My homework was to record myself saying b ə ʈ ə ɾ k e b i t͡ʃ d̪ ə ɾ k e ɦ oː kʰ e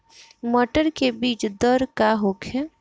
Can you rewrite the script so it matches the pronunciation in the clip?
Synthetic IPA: m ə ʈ ə ɾ k e b iː t͡ʃ d̪ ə ɾ k a ɦ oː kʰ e